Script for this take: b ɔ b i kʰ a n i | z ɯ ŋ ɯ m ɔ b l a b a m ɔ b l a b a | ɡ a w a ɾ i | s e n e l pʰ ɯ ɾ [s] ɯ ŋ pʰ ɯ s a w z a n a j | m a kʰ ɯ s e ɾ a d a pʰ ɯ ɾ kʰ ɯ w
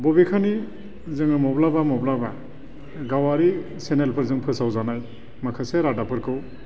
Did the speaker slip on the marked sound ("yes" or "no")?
yes